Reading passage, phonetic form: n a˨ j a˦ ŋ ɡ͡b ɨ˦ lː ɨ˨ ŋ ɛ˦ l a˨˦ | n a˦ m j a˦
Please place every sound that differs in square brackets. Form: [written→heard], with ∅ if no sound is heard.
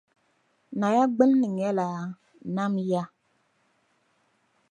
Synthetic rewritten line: n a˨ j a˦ [ŋ→∅] ɡ͡b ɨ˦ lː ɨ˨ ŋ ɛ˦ l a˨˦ | n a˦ m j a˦